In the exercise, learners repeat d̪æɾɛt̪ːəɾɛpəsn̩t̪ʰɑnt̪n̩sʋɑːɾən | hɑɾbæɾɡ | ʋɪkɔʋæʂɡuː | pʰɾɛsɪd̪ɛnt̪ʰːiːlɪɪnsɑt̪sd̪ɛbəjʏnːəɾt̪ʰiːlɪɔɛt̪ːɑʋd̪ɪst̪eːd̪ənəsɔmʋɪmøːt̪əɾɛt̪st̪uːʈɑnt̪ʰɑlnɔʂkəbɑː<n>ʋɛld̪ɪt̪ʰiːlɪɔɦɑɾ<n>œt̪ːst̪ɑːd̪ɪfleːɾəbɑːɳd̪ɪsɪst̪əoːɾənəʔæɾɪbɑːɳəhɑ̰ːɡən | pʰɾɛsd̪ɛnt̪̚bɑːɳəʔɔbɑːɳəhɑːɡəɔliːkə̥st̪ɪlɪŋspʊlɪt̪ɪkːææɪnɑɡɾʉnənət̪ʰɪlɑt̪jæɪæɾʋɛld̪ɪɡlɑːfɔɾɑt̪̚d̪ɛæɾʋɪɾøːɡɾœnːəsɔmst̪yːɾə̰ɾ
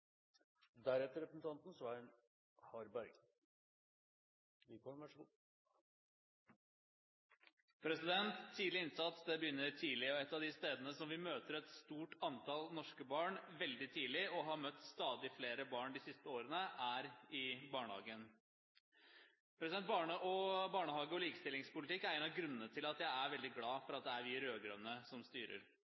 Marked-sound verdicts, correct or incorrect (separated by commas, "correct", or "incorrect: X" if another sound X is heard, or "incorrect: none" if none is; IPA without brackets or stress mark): incorrect: ɳ, incorrect: m